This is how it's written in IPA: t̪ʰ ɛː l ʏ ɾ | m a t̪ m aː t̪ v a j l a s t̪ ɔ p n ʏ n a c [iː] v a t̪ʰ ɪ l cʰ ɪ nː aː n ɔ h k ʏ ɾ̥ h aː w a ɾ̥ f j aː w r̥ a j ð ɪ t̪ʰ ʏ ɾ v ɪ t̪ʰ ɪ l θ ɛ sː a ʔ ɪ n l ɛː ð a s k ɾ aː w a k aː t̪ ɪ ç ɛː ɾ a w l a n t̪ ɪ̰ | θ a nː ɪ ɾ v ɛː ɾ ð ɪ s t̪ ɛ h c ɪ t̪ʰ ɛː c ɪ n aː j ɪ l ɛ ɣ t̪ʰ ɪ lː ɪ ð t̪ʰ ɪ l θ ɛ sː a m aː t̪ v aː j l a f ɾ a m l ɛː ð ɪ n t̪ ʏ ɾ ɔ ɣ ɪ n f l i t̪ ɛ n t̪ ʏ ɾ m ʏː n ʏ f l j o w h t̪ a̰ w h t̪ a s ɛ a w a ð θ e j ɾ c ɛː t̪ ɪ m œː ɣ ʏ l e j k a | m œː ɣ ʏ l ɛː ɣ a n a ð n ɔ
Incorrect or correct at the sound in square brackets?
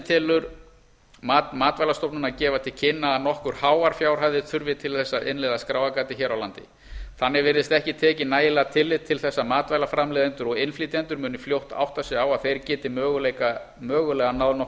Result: incorrect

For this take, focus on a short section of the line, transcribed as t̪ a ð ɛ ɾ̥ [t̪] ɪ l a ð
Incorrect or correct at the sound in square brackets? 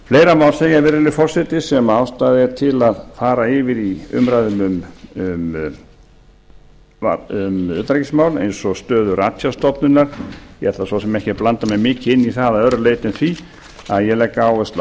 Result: incorrect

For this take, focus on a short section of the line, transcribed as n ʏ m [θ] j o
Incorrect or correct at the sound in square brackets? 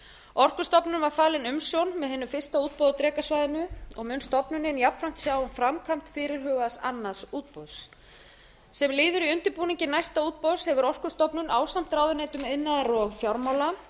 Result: incorrect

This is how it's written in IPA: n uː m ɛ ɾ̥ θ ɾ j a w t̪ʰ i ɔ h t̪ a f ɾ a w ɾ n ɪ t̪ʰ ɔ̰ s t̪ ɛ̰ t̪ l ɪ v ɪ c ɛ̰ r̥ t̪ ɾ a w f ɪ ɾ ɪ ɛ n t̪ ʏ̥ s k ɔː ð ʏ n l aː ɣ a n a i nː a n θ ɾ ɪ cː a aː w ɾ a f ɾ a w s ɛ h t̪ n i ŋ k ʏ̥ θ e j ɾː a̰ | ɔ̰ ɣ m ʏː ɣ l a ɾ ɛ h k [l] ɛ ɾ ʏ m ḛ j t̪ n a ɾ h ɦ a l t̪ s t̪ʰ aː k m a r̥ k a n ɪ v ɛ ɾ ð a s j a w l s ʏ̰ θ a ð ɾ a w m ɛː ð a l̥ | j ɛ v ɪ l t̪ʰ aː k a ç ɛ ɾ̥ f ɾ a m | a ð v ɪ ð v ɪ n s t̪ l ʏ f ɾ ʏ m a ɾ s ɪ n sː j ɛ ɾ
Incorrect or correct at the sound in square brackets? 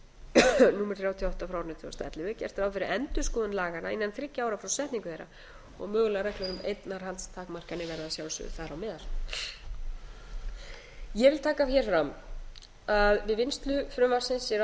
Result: correct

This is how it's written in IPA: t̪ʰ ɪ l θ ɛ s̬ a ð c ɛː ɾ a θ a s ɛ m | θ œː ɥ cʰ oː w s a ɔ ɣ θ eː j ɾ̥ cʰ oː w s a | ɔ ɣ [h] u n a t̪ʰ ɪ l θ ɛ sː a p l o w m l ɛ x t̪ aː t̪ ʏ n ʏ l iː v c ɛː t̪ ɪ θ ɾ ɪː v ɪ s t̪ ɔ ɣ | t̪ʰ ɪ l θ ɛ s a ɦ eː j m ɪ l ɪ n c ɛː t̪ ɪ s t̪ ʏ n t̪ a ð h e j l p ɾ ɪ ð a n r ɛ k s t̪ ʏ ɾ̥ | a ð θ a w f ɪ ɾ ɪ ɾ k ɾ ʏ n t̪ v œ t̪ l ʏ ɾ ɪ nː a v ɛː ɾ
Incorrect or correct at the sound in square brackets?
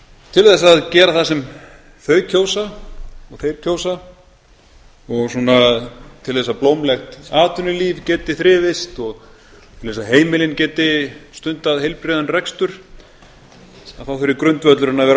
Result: incorrect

